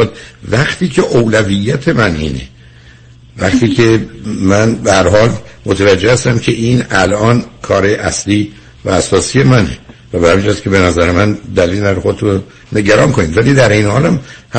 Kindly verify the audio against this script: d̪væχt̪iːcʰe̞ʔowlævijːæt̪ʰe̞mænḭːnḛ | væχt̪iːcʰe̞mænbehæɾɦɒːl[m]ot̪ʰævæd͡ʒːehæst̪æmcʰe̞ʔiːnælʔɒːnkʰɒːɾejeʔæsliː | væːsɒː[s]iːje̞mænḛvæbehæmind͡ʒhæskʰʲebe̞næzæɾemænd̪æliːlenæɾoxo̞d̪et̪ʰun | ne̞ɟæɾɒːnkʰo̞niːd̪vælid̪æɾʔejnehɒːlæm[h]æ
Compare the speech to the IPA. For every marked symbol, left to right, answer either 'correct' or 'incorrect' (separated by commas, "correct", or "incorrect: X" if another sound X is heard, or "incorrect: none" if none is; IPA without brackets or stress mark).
correct, correct, correct